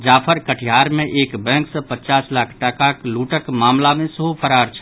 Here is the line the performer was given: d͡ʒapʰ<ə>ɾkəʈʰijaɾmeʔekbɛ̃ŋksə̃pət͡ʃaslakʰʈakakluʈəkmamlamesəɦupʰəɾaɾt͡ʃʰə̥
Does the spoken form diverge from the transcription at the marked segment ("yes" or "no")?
no